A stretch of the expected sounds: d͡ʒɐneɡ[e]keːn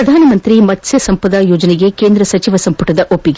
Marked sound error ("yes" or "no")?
no